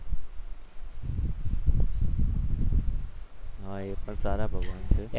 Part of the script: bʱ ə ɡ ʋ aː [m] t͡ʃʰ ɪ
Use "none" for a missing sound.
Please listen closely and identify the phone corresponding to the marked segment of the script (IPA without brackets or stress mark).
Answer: n